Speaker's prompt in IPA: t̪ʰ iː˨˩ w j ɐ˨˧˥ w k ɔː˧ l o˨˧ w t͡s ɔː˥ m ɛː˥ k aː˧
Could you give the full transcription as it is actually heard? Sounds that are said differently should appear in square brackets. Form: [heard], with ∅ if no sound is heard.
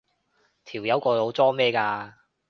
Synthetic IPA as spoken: t̪ʰ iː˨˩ w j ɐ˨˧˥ w k ɔː˧ l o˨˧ w t͡s ɔː˥ m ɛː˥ k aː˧